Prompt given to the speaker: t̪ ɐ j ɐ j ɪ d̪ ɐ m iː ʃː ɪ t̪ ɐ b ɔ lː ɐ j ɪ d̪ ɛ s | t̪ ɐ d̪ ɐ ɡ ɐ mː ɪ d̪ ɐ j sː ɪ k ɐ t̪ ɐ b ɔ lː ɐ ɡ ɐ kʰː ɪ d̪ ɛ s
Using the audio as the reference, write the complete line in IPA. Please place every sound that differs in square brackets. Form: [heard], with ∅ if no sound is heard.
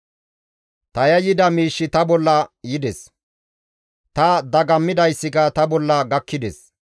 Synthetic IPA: t̪ ɐ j ɐ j ɪ d̪ ɐ m iː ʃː ɪ t̪ ɐ b ɔ lː ɐ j ɪ d̪ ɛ s | t̪ ɐ d̪ ɐ ɡ ɐ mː ɪ d̪ ɐ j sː ɪ k ɐ t̪ ɐ b ɔ lː ɐ ɡ ɐ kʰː ɪ d̪ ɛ s